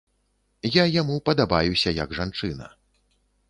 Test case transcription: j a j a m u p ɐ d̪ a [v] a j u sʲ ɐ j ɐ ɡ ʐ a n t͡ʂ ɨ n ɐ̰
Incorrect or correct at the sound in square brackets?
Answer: incorrect: b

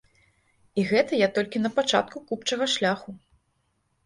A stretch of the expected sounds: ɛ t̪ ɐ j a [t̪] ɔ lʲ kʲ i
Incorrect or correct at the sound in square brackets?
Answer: correct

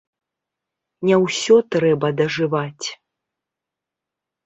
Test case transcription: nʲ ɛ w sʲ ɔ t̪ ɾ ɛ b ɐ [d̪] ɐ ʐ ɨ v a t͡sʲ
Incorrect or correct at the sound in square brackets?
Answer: correct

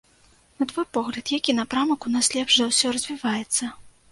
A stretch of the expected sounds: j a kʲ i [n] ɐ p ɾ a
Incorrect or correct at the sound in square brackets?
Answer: correct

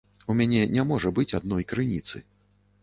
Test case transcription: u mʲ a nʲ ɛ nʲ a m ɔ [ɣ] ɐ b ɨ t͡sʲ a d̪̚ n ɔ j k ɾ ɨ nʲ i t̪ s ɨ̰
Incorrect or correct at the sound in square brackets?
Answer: incorrect: ʐ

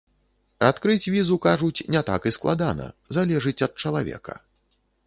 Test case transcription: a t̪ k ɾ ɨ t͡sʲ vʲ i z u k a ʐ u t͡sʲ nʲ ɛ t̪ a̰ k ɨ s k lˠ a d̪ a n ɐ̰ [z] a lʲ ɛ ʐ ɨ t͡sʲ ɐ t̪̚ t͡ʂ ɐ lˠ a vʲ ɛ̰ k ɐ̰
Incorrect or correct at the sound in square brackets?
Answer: correct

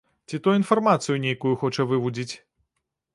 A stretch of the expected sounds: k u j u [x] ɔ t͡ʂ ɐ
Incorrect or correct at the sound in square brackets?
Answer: correct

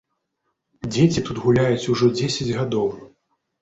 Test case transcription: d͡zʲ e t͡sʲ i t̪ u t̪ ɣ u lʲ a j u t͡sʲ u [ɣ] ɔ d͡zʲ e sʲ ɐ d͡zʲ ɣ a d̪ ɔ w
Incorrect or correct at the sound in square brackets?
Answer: incorrect: ʐ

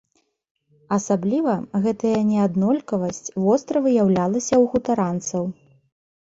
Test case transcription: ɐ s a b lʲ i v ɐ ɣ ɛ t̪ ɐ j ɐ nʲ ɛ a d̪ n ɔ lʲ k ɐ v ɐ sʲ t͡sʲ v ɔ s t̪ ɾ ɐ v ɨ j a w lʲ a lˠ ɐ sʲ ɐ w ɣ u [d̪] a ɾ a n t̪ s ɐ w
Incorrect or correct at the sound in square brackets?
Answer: incorrect: t̪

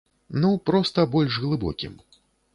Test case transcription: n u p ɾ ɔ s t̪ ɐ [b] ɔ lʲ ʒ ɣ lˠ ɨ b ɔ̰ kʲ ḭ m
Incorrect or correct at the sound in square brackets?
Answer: correct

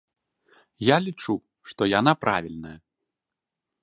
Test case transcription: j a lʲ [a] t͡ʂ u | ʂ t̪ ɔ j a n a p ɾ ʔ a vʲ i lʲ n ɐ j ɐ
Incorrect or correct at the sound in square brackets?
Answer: incorrect: i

